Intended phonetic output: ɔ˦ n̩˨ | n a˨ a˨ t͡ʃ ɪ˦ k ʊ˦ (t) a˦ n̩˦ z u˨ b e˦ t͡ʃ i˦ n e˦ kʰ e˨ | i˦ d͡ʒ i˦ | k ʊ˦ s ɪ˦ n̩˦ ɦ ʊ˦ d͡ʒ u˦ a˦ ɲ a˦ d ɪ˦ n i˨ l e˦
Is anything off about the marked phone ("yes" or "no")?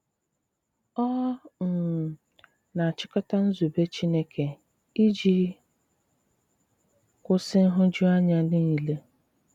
no